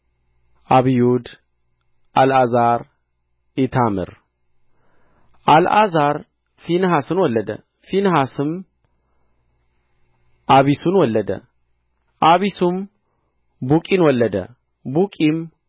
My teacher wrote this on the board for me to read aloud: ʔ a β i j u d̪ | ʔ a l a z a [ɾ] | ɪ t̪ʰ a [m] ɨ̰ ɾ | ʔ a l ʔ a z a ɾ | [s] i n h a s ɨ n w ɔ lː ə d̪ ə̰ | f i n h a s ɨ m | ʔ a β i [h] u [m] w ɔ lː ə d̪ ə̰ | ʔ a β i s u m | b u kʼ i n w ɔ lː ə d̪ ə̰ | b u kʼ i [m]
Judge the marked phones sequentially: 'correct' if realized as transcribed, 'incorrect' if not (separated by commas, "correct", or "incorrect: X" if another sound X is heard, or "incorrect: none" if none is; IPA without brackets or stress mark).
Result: correct, correct, incorrect: f, incorrect: s, incorrect: n, correct